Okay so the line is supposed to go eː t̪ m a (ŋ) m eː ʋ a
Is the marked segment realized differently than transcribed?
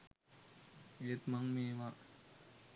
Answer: no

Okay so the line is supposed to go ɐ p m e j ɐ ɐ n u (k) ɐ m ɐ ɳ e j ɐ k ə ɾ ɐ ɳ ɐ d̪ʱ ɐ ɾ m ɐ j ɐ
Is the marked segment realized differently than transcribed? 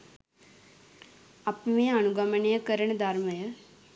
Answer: yes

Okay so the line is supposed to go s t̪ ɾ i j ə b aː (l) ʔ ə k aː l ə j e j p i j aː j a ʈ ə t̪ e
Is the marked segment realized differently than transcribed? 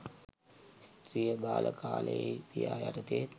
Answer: no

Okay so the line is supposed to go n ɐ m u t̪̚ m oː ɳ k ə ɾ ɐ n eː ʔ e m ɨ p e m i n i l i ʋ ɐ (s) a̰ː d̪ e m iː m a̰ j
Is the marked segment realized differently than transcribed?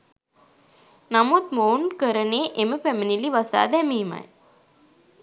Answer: no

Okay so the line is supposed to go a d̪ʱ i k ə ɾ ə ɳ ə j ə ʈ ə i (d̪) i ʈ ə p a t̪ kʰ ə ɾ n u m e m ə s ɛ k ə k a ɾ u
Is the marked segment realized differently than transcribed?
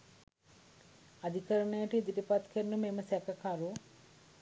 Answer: no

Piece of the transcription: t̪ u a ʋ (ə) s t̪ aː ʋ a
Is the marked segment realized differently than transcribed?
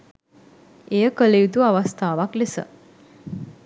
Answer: yes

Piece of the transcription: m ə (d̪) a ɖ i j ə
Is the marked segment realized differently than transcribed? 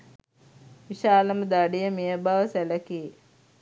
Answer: no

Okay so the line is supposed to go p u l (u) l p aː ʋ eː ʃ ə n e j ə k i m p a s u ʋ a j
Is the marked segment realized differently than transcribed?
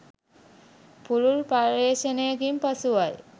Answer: no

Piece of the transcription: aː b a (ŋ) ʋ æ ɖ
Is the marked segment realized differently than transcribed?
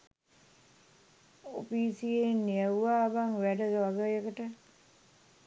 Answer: no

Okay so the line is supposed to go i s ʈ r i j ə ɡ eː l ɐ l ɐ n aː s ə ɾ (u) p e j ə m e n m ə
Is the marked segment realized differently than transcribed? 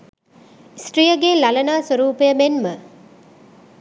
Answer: yes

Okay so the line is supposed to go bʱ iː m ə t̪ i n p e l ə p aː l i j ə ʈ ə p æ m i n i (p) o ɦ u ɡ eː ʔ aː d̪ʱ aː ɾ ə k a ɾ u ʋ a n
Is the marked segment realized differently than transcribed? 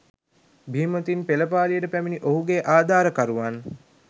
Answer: yes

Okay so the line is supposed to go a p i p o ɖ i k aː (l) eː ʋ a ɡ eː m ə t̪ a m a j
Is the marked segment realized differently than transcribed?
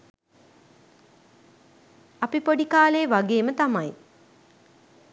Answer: no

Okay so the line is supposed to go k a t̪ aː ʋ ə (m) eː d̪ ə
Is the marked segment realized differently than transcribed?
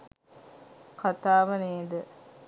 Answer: yes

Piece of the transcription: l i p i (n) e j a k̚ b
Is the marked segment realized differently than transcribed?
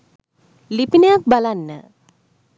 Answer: no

